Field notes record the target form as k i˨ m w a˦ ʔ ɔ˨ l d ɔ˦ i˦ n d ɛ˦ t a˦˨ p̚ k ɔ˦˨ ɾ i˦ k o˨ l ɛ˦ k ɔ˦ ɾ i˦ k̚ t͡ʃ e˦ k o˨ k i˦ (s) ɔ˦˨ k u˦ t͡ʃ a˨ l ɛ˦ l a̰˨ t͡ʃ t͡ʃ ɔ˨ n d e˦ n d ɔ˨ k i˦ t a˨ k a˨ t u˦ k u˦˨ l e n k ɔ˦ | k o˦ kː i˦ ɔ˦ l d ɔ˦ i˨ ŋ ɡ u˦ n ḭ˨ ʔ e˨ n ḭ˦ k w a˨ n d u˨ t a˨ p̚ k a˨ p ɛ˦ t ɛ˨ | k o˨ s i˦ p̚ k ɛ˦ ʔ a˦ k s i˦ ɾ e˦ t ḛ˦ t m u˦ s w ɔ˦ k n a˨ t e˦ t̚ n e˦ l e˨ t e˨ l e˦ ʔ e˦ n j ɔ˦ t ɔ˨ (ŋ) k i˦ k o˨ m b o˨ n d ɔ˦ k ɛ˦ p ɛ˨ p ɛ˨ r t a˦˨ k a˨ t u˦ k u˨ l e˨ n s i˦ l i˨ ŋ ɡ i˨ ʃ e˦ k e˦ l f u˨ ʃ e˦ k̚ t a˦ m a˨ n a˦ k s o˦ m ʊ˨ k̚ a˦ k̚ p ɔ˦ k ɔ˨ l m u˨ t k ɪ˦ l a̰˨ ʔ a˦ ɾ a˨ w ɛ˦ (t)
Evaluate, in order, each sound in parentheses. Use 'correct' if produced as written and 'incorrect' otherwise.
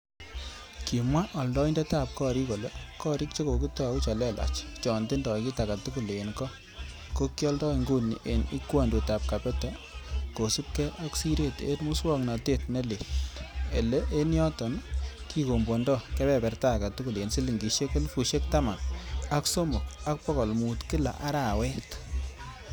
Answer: incorrect, incorrect, correct

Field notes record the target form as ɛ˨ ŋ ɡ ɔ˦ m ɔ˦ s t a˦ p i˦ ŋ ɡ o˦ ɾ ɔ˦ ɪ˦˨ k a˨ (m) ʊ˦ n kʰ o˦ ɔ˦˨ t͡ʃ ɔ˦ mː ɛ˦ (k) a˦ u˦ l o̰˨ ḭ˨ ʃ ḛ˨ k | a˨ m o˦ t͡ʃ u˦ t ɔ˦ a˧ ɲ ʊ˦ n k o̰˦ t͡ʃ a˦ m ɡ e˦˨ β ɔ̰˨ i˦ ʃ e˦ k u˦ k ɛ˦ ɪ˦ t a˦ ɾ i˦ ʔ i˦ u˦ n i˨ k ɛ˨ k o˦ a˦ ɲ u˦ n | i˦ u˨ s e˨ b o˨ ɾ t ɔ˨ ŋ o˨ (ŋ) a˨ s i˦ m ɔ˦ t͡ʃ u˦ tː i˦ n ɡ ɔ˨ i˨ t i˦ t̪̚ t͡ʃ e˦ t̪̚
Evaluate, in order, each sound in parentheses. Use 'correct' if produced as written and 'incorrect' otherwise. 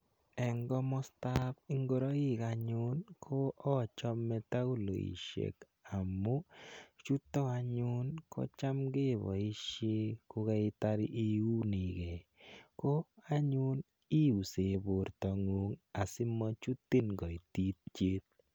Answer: incorrect, incorrect, correct

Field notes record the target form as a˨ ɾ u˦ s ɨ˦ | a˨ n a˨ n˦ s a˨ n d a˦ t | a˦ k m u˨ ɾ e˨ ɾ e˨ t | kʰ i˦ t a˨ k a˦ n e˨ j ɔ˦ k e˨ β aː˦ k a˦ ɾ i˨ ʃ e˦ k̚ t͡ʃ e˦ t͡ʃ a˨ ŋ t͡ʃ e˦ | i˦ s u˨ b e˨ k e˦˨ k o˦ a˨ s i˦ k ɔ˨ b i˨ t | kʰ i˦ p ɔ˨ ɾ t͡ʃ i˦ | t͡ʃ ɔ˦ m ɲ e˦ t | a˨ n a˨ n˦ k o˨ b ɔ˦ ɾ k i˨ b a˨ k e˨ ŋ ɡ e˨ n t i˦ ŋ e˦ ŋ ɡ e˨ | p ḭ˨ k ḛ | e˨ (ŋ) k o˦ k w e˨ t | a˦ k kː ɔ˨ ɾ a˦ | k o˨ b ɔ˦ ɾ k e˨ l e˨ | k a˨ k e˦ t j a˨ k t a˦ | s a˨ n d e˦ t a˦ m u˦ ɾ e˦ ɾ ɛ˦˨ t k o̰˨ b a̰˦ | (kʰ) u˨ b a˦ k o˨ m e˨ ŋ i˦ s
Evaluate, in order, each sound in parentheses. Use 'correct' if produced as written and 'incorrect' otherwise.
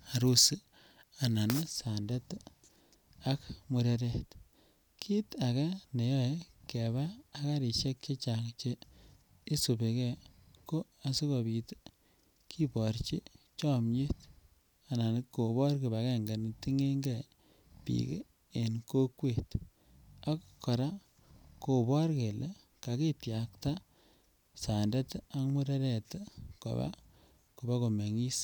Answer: incorrect, incorrect

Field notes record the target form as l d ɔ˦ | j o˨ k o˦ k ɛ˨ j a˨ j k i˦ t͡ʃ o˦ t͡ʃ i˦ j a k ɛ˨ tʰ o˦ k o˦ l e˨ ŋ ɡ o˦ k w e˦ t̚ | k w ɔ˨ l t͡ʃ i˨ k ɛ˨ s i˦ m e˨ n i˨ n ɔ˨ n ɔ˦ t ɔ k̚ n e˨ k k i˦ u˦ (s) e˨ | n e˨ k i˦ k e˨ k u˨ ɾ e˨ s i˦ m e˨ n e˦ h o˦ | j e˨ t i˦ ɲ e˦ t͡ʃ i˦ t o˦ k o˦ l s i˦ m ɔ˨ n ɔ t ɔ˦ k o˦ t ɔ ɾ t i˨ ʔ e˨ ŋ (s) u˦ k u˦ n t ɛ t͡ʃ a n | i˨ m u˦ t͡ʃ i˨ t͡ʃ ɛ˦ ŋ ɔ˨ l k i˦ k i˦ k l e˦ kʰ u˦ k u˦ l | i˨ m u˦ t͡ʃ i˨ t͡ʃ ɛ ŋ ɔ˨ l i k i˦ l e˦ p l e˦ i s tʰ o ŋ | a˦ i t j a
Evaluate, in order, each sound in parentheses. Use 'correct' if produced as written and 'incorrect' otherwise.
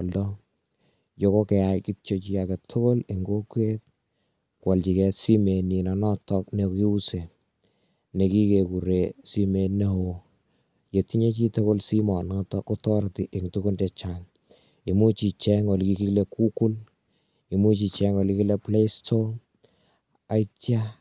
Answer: correct, incorrect

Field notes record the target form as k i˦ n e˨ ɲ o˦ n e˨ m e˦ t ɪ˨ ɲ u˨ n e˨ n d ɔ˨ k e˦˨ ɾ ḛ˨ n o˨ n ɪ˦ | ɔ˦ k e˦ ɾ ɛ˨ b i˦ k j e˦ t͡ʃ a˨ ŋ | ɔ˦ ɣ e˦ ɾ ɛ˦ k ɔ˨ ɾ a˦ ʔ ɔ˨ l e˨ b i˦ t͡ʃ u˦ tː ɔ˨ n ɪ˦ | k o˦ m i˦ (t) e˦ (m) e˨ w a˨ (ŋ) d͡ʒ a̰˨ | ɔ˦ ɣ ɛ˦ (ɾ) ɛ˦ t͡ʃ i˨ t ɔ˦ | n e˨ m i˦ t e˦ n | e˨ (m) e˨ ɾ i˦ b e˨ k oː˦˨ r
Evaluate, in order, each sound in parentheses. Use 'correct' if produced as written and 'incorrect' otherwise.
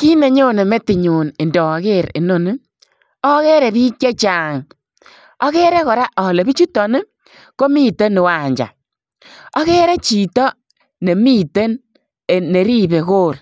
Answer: correct, incorrect, incorrect, correct, incorrect

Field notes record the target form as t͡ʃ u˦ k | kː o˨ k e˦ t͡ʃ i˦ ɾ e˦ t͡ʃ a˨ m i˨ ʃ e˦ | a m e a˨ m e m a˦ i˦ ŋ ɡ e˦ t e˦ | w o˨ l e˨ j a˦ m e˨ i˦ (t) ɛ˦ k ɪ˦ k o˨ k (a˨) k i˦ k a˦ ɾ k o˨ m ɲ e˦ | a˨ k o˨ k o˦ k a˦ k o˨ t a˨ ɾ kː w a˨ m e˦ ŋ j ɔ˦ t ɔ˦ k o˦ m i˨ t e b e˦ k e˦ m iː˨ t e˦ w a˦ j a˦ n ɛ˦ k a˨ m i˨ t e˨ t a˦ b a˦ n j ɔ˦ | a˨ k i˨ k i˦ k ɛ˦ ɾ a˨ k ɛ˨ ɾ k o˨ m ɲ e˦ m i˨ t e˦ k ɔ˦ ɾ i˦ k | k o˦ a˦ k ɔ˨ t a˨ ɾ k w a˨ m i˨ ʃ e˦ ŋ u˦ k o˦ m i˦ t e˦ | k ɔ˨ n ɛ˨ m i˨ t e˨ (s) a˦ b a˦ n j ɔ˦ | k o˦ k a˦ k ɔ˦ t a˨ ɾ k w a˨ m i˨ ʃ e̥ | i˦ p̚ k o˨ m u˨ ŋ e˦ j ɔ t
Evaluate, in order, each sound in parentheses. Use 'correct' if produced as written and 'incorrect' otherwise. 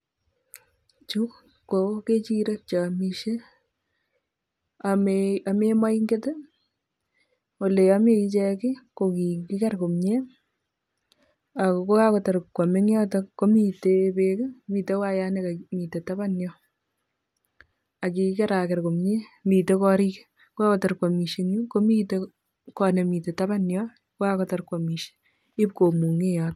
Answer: incorrect, incorrect, incorrect

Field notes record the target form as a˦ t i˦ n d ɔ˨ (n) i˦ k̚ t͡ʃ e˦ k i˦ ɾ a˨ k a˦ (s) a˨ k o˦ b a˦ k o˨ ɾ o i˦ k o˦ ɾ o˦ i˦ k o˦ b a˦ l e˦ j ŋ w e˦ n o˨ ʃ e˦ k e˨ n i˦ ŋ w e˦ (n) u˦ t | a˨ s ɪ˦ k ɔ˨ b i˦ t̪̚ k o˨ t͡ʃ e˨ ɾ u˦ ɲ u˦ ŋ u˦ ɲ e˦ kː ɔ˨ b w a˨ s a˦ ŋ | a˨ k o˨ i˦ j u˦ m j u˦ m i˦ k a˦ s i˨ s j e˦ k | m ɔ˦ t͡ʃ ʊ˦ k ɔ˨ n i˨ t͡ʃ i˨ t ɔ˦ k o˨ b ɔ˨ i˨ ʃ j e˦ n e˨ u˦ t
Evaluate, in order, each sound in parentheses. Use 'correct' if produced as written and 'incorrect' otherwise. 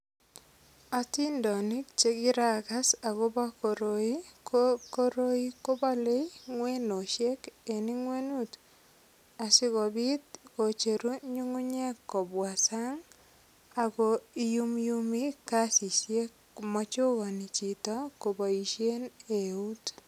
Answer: correct, correct, correct

